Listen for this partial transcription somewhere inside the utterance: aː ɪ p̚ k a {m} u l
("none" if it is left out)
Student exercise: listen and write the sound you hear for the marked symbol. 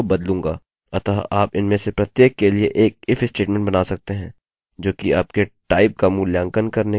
m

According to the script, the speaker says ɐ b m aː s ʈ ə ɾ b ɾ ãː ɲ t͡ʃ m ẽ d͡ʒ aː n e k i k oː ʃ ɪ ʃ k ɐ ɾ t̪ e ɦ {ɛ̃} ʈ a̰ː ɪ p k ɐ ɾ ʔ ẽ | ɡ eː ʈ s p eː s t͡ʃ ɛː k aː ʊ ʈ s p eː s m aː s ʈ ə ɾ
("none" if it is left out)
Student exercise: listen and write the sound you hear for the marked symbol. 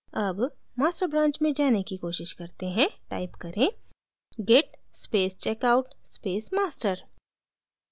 ɛ̃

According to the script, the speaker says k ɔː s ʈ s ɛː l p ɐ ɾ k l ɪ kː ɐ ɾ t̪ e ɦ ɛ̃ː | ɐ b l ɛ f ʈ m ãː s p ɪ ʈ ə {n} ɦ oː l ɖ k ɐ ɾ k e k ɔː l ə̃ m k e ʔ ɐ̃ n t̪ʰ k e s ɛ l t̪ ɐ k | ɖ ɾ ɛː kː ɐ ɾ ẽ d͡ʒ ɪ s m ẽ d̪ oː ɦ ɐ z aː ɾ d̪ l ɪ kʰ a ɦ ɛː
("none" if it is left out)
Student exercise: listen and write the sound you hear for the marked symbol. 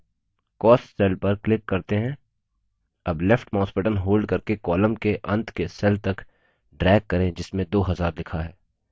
n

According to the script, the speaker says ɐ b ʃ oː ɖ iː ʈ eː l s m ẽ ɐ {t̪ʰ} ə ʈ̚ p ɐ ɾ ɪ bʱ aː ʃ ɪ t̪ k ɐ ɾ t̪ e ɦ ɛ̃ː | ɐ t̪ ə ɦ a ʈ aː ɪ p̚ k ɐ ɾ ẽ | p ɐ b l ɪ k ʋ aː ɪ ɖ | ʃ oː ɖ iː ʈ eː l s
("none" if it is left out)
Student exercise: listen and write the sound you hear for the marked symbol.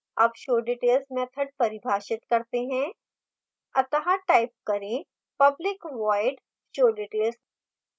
t̪ʰ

